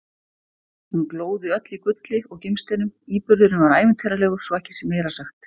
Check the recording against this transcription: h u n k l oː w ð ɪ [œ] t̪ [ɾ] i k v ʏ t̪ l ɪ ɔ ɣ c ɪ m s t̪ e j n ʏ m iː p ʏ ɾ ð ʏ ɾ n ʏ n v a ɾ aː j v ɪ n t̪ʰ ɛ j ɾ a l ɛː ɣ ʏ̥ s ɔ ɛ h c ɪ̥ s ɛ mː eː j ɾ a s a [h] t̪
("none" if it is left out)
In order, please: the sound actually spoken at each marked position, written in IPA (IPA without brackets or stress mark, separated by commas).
œ, l, x